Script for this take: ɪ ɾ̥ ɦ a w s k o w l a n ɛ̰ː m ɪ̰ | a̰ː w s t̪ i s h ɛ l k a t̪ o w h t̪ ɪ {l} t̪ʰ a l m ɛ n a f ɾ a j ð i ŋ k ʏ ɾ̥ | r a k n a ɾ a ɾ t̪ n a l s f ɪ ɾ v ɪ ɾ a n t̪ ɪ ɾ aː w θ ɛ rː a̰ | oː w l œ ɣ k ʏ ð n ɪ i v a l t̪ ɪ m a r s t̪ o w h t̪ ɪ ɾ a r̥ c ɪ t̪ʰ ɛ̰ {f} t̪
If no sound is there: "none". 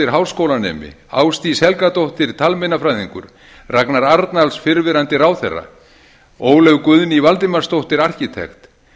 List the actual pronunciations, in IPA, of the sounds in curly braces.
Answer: ɾ, x

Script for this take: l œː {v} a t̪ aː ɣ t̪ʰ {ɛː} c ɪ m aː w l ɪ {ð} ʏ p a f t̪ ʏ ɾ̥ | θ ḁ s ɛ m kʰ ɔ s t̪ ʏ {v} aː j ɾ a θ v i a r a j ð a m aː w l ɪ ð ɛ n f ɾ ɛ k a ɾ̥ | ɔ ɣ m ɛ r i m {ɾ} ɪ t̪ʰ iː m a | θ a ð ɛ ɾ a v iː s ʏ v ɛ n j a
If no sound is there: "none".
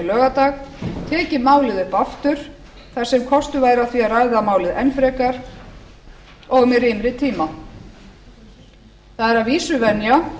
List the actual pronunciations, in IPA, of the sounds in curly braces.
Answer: ɣ, ɛː, ð, v, ɾ

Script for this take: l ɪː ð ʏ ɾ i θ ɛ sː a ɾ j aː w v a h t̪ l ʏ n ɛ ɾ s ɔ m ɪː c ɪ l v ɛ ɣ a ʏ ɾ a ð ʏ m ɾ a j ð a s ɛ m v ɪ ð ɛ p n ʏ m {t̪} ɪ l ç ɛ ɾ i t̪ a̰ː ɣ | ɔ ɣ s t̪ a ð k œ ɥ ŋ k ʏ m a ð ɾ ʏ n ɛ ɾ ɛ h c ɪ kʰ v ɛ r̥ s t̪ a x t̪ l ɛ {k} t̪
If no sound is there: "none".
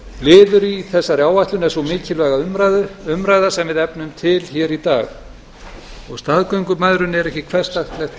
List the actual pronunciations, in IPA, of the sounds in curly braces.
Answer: t̪ʰ, x

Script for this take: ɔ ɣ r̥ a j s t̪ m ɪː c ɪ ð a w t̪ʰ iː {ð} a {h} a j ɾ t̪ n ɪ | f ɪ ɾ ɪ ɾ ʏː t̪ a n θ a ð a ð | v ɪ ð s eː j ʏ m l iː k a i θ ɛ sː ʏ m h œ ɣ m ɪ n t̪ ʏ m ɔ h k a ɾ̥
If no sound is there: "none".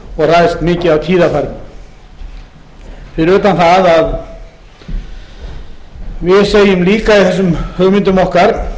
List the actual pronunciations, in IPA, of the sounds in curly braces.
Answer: ð, f

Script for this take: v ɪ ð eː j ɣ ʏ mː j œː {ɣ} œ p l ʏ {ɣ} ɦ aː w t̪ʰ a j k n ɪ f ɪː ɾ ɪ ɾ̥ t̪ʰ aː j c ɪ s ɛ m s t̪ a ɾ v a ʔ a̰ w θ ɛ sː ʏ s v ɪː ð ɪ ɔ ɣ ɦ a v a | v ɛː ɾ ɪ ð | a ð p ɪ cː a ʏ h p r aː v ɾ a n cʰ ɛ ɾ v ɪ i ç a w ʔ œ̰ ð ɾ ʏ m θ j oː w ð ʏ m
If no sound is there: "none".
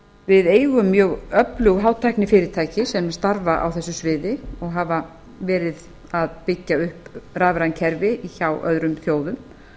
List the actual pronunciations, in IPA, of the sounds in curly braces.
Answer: ɣ, ɣ

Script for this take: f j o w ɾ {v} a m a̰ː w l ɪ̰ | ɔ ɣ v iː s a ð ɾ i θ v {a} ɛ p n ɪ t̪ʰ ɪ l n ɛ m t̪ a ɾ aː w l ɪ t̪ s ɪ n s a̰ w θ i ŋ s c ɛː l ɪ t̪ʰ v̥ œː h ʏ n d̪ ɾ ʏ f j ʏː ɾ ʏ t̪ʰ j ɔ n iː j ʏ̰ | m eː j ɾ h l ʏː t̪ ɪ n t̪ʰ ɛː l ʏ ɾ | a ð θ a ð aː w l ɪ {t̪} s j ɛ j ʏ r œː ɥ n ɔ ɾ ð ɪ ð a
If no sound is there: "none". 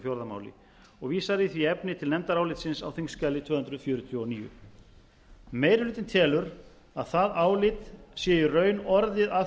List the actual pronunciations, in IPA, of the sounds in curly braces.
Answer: ð, i, t̪

